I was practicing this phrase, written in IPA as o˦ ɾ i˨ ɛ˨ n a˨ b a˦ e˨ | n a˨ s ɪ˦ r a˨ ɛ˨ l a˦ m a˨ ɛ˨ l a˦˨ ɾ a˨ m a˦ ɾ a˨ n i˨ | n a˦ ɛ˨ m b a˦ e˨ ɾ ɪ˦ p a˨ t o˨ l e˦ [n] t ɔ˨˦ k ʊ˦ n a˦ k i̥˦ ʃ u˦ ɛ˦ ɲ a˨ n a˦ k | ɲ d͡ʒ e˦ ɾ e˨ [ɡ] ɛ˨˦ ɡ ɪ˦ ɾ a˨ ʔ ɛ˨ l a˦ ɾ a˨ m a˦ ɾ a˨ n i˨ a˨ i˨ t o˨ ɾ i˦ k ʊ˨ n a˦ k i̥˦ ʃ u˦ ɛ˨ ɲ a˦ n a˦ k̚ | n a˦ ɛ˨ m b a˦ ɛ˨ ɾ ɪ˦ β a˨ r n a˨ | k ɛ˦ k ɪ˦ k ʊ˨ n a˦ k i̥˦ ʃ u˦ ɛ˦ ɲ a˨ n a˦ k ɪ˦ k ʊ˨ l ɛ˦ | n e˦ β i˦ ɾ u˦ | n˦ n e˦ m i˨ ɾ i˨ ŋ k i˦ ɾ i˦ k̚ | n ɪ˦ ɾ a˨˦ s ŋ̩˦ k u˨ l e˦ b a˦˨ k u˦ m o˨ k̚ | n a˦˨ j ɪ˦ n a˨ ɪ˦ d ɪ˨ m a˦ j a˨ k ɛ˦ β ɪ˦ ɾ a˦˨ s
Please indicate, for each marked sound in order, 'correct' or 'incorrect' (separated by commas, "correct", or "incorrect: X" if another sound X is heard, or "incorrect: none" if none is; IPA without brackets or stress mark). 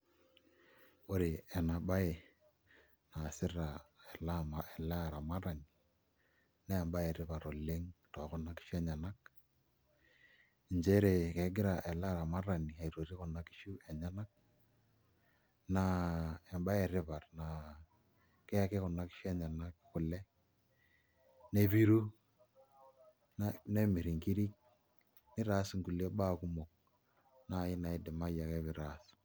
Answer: incorrect: ŋ, incorrect: k